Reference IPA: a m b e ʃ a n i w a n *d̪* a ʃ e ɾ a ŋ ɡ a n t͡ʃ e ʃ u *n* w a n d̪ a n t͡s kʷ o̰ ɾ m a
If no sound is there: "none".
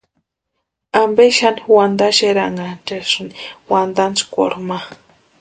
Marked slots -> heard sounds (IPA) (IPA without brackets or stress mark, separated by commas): d̪, n